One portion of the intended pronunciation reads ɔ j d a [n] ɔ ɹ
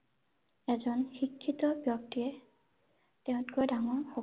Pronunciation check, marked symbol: incorrect: ŋ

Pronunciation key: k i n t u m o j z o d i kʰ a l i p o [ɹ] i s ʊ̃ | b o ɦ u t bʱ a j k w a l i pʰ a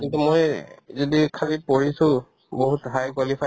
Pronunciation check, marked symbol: correct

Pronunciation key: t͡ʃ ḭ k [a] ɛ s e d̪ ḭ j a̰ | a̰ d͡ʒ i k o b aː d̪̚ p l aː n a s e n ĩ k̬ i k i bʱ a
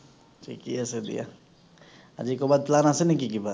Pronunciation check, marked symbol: incorrect: i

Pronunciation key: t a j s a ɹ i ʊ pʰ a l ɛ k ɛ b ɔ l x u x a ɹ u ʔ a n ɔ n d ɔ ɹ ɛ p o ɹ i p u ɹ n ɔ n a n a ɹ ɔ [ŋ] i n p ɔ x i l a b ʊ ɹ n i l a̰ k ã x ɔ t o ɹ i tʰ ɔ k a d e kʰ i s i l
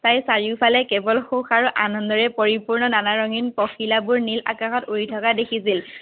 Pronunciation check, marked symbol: correct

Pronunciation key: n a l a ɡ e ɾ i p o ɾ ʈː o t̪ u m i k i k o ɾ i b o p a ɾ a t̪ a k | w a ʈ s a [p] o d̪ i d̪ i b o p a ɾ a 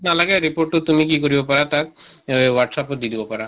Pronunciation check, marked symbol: correct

